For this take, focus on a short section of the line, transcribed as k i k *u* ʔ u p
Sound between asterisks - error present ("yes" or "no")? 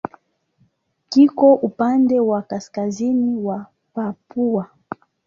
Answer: yes